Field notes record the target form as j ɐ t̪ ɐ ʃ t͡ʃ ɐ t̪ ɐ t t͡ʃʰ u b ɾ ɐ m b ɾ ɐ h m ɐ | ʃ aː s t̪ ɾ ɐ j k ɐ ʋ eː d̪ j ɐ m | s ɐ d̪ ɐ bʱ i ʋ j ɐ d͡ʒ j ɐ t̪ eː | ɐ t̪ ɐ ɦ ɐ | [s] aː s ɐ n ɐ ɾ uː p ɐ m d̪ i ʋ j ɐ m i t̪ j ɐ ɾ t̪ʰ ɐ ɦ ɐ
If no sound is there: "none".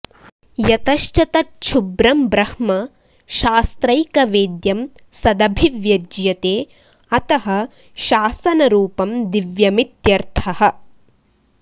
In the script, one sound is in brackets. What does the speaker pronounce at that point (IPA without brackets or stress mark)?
ʃ